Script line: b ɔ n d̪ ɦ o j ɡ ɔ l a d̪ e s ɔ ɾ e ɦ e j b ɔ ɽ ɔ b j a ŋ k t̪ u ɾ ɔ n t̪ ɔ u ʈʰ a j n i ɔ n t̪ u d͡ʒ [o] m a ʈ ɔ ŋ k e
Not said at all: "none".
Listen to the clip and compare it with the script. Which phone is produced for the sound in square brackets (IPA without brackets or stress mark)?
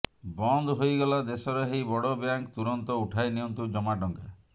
ɔ